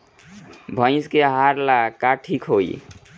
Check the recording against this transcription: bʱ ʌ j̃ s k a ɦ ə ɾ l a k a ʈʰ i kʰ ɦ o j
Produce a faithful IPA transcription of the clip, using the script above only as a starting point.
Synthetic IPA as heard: bʱ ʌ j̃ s k e ɦ a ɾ l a k a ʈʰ i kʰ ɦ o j